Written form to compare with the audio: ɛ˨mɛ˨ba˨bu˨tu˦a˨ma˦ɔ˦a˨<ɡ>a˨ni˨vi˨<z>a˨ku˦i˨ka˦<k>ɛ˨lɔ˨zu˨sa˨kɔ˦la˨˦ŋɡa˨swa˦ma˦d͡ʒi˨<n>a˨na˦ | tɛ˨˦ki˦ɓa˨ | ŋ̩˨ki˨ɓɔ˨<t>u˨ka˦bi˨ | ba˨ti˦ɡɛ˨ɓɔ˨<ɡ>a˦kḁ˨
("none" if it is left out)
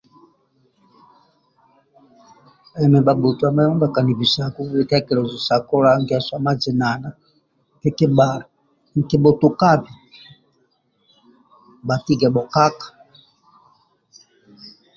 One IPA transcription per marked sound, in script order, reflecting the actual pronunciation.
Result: k, s, k, n, t, k

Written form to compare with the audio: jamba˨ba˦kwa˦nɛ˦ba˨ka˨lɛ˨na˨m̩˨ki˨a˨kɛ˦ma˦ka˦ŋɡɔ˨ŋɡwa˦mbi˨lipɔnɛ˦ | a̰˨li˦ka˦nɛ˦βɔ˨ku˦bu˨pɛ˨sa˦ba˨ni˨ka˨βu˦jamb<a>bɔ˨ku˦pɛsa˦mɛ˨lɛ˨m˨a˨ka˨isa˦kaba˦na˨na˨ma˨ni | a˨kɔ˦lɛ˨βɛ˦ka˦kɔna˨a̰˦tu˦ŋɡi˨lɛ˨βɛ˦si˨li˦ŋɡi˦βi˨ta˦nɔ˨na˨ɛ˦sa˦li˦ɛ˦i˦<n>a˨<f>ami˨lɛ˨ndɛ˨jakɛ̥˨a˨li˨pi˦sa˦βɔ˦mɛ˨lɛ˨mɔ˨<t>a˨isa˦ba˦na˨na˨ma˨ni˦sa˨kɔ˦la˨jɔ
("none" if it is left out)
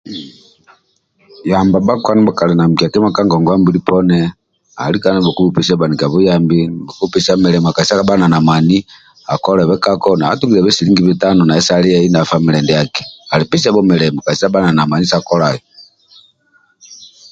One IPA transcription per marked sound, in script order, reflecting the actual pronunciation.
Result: i, n, f, k

